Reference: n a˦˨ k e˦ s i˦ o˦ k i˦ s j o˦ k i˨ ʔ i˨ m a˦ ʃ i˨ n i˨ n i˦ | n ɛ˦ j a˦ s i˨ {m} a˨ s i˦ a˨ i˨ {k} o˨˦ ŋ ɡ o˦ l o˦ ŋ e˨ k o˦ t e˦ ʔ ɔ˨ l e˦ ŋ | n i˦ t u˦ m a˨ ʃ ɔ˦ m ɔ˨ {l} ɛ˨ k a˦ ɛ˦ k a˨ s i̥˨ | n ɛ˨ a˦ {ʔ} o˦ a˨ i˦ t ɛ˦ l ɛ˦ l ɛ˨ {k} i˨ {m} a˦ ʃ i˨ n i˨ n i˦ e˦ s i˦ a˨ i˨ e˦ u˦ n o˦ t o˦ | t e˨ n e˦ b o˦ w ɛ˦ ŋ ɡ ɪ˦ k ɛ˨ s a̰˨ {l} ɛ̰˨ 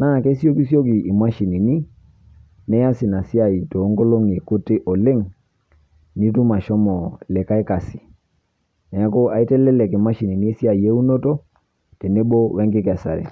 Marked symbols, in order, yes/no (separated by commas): no, no, yes, no, yes, yes, no